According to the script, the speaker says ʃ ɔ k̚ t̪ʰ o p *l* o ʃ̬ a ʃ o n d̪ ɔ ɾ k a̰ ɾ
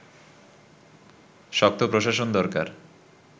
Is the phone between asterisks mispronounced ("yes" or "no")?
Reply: yes